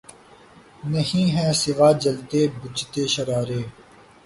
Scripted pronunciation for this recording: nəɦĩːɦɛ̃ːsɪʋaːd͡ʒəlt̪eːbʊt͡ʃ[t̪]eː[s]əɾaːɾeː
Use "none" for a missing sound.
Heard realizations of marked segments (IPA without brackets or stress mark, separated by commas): t̪, ʃ